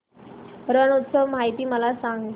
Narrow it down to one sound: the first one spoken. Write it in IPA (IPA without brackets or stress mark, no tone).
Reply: ɾ